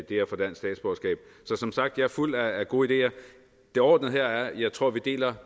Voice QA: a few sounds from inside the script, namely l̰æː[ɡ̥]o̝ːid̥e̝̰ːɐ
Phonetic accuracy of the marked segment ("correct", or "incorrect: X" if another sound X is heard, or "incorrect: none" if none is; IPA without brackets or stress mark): correct